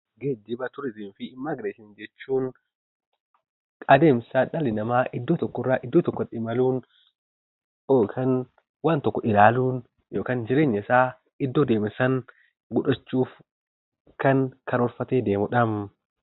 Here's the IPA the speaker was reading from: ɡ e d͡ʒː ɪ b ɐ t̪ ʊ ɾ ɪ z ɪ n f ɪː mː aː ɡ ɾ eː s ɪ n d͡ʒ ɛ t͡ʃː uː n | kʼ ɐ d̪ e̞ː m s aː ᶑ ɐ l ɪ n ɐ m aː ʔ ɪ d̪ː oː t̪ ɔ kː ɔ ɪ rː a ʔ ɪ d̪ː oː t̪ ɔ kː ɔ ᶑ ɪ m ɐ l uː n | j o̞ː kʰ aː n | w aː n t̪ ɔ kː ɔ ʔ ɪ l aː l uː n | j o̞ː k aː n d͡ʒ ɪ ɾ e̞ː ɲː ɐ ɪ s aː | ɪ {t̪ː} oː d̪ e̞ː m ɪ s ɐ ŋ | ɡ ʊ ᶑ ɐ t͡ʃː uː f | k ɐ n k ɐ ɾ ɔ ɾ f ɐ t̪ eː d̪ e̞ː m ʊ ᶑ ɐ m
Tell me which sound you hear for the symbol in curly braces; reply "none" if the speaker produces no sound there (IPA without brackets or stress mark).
d̪ː